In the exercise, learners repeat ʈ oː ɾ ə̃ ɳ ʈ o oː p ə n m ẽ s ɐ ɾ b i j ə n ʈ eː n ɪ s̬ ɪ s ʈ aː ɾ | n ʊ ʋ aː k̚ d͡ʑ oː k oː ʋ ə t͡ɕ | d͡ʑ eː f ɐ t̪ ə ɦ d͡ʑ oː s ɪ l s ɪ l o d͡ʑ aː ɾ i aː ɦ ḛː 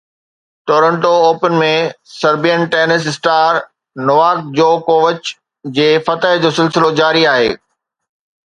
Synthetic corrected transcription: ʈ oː ɾ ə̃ ɳ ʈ o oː p ə n m ẽ s ɐ ɾ b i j ə n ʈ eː n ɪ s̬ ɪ s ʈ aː ɾ | n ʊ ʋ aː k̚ d͡ʑ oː k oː ʋ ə t͡ɕ | d͡ʑ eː f ɐ t̪ ə ɦ d͡ʑ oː s ɪ l s ɪ l o d͡ʑ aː ɾ i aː ɦ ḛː